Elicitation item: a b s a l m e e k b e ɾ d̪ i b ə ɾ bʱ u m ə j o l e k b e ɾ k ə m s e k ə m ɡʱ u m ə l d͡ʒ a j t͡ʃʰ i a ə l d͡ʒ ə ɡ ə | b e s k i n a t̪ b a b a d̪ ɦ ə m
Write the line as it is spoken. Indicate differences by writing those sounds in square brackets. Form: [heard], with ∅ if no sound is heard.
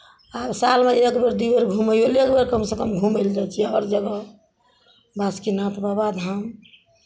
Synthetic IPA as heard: a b s a l m e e k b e ɾ d̪ i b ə ɾ [ɡʱ] u m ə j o l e k b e ɾ k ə m s e k ə m ɡʱ u m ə l d͡ʒ a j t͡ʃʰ i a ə [ɾ] d͡ʒ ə ɡ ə | b [a] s k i n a t̪ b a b a d̪ ɦ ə m